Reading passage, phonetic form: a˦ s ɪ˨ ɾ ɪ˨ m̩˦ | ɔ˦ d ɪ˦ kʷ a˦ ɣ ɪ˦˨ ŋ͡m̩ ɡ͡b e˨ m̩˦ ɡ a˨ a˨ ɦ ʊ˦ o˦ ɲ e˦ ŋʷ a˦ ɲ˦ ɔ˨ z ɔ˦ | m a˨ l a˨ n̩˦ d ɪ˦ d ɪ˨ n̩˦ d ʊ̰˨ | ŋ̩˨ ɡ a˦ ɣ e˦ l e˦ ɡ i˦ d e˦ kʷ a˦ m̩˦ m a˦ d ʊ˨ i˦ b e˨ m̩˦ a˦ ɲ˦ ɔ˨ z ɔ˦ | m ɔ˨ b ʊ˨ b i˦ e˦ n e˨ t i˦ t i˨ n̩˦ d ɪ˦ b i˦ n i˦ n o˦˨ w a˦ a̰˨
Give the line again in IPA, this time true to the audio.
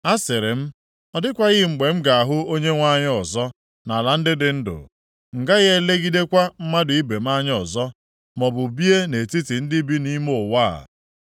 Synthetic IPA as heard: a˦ s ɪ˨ ɾ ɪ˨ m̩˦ | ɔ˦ d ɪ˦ kʷ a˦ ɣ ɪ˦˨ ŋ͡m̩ ɡ͡b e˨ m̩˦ ɡ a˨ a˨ ɦ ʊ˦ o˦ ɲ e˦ ŋʷ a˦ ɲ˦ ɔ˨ z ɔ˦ | n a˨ l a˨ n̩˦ d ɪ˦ d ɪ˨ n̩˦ d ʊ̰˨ | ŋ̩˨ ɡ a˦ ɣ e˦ l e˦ ɡ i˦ d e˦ kʷ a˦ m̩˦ m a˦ d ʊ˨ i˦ b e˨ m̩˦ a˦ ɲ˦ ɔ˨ z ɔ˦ | m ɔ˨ b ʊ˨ b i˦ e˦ n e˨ t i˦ t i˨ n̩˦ d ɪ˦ b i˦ n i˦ m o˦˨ w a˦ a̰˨